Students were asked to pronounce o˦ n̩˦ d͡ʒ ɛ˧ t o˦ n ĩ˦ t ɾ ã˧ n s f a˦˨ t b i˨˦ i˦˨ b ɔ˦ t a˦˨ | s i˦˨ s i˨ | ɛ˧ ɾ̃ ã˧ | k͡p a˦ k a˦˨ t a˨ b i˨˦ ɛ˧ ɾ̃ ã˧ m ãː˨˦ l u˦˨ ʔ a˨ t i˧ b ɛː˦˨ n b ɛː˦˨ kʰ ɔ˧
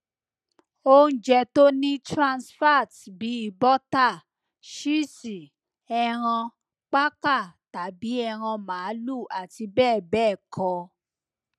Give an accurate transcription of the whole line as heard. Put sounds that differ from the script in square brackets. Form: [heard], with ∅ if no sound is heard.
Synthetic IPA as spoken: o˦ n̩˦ d͡ʒ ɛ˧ t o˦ n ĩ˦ t ɾ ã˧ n s f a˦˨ t b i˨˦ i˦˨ b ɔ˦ t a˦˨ | [ʃ] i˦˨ s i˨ | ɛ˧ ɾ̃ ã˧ | k͡p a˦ k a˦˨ t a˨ b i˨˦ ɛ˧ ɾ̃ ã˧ m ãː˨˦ l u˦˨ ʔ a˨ t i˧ b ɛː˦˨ [∅] b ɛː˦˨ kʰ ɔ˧